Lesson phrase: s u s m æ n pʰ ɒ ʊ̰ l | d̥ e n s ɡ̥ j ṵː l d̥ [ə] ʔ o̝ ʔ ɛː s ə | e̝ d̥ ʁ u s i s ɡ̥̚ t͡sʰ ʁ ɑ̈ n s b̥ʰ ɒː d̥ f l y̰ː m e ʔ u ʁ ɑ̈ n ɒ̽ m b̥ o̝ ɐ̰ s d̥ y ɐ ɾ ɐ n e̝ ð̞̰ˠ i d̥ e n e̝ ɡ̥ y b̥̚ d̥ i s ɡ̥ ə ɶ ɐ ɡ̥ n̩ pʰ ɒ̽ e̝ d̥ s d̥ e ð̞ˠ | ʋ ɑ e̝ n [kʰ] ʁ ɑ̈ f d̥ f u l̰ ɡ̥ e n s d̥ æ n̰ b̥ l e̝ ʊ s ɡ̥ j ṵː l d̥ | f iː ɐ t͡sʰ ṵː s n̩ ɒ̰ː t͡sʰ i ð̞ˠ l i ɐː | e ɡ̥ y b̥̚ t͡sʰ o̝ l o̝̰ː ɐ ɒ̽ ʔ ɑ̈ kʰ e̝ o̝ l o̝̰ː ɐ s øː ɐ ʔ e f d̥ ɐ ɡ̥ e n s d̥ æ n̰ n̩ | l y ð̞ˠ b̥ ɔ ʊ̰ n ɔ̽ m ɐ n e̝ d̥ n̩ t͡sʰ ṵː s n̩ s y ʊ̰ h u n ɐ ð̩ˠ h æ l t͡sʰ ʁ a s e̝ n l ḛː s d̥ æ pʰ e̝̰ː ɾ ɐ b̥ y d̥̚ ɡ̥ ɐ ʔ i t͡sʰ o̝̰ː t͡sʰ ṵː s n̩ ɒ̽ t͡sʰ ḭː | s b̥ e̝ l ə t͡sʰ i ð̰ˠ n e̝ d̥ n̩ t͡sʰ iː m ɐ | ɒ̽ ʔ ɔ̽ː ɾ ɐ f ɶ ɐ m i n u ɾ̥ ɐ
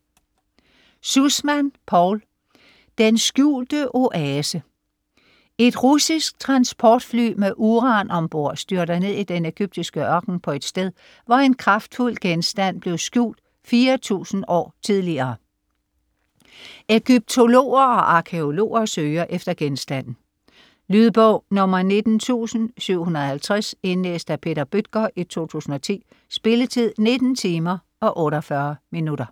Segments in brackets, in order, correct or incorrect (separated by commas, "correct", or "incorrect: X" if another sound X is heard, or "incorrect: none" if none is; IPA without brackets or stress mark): correct, correct